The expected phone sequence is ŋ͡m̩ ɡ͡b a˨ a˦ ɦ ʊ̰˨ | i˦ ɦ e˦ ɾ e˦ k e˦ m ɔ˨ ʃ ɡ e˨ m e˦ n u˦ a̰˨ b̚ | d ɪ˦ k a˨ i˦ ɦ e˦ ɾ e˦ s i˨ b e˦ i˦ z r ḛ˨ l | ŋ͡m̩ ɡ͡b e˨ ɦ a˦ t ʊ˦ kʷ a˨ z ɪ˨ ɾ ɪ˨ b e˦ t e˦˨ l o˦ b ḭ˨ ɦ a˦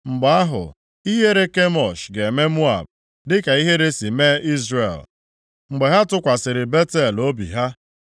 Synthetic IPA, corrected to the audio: ŋ͡m̩ ɡ͡b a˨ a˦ ɦ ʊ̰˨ | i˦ ɦ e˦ ɾ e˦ k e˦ m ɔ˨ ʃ ɡ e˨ m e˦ m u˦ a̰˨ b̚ | d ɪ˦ k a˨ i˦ ɦ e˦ ɾ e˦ s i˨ m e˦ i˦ z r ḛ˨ l | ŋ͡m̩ ɡ͡b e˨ ɦ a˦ t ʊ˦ kʷ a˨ s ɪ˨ ɾ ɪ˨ b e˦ t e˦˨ l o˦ b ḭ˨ ɦ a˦